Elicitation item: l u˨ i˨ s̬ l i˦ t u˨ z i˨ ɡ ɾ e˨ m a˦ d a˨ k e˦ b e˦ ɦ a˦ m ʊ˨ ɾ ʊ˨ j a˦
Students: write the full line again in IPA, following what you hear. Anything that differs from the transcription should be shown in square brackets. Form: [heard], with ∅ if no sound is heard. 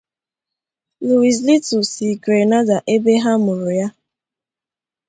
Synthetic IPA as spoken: l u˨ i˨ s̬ l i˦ t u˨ [s] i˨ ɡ ɾ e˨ [n] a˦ d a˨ [ʔ] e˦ b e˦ ɦ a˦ m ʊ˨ ɾ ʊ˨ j a˦